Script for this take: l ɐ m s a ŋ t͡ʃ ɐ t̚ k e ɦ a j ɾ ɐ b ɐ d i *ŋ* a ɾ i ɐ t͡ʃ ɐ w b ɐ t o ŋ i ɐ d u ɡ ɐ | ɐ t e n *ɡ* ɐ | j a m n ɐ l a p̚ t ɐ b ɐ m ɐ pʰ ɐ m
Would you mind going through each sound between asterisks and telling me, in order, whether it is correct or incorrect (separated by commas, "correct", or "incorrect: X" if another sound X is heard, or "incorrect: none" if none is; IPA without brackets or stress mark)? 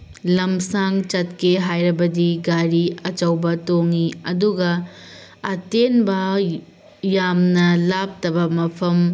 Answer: incorrect: ɡ, incorrect: b